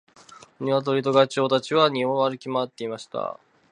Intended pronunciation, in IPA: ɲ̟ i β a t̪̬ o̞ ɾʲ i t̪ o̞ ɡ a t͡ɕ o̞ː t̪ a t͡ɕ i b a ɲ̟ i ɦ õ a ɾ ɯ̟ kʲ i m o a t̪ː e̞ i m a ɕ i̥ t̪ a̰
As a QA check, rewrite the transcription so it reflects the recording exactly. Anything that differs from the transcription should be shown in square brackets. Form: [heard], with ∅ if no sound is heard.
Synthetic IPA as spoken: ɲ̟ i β a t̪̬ o̞ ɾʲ i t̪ o̞ ɡ a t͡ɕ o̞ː t̪ a t͡ɕ i [β] a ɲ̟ i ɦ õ a ɾ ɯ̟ kʲ i m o a t̪ː e̞ i m a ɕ i̥ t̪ a̰